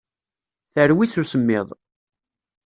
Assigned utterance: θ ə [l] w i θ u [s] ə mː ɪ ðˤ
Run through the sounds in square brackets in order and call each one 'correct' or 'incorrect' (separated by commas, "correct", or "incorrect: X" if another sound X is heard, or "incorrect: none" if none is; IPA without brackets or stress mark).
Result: incorrect: ɾ, correct